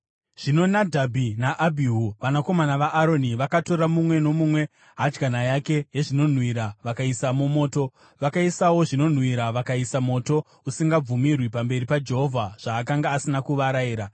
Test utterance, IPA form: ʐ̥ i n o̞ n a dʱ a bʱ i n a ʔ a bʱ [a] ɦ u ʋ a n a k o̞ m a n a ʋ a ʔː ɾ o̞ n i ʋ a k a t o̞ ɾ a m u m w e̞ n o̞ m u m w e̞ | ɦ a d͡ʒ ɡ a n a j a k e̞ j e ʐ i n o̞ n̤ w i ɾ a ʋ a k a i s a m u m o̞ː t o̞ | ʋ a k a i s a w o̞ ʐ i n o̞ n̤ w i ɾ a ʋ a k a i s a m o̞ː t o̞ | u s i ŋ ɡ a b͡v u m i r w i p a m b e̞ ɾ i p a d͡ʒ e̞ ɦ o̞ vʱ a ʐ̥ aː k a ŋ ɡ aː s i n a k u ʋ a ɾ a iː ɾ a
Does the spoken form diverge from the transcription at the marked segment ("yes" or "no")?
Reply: yes